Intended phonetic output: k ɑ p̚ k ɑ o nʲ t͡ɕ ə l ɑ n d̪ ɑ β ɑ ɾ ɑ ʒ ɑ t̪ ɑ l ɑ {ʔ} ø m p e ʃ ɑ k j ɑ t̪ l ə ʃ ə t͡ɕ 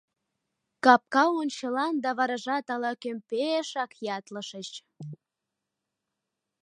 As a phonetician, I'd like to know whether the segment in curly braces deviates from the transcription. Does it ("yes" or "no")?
yes